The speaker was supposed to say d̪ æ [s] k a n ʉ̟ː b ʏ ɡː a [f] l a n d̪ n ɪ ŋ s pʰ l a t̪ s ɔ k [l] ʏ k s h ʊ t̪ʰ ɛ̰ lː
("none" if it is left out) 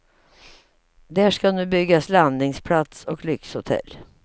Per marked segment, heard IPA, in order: ʂ, s, l

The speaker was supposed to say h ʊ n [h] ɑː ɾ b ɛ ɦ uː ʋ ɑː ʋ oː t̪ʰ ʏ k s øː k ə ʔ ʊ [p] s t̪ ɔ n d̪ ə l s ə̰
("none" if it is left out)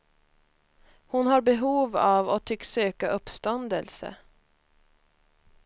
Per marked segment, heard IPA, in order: h, p

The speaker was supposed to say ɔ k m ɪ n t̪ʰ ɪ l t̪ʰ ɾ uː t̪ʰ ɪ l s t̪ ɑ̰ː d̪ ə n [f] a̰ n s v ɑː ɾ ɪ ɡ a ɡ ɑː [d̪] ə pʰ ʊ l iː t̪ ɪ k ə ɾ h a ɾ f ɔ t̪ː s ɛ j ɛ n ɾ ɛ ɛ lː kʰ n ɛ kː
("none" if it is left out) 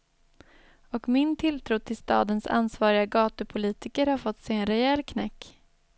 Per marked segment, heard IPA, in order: s, t̪

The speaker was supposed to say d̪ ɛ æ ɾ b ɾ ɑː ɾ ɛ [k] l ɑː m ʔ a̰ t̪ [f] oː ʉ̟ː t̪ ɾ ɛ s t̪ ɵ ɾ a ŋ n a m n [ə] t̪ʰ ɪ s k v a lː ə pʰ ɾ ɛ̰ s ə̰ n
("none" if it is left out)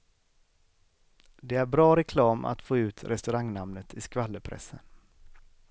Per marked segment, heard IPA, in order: kʰ, f, ə

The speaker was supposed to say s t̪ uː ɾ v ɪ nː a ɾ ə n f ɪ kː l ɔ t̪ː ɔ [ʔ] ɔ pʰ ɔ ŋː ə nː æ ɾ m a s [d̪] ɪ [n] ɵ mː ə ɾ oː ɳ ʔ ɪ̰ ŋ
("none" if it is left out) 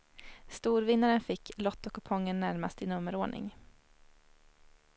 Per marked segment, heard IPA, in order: k, t̪, n

